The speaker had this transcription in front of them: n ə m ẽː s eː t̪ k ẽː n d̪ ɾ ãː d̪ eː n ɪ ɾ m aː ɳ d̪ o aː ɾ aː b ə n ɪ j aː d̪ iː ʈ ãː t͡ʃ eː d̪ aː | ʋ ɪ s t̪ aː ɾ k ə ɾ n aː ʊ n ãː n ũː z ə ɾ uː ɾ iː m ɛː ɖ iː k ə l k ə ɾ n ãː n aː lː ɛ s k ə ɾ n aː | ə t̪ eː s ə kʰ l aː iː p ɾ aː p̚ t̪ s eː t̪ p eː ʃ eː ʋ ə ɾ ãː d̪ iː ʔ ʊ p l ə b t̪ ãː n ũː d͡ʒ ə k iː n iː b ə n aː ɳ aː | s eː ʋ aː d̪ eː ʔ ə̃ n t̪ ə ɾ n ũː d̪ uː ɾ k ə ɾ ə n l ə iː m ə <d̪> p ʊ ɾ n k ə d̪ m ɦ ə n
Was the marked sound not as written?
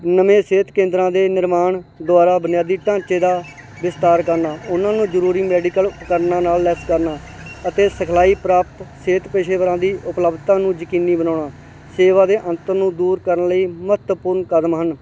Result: yes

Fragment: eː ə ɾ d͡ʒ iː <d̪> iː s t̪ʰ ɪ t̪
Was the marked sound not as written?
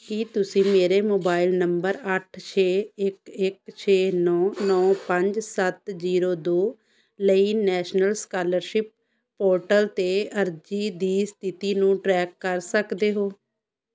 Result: no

